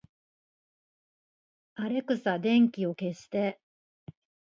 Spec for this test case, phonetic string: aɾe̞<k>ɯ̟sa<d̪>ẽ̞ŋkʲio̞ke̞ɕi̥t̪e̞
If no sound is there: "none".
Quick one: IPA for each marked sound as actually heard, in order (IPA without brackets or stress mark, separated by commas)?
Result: k, d̪